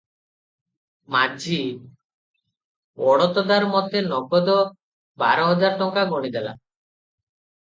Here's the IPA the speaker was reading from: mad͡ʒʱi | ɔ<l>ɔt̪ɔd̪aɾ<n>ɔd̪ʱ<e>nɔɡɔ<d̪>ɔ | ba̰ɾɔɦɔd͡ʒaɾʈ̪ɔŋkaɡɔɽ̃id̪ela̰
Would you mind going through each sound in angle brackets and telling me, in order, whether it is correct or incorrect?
incorrect: ɽ, incorrect: m, correct, correct

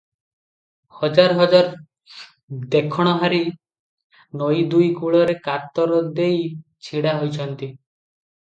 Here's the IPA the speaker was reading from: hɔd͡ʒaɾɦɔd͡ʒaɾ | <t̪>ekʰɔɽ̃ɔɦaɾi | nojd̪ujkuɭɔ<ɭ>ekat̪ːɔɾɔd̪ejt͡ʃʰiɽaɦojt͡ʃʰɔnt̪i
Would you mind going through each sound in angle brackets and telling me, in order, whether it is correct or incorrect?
incorrect: d̪, incorrect: ɾ

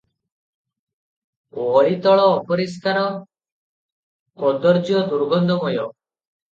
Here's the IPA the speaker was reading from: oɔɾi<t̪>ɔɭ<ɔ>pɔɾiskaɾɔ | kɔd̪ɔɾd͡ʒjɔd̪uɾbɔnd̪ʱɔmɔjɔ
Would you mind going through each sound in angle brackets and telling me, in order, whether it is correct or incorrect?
correct, incorrect: ɔː

